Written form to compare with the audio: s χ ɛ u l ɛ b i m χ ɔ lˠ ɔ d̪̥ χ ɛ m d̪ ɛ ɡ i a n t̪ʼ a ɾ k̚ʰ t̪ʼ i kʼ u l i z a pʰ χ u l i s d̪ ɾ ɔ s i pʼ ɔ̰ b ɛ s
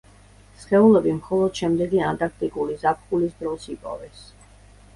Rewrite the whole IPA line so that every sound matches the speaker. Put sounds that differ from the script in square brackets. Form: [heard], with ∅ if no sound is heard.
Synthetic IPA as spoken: s χ ɛ u l ɛ b i m χ ɔ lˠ ɔ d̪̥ [ʃ] ɛ m d̪ ɛ ɡ i a n t̪ʼ a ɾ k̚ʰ t̪ʼ i kʼ u l i z a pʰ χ u l i s d̪ ɾ ɔ s i pʼ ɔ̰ [v] ɛ s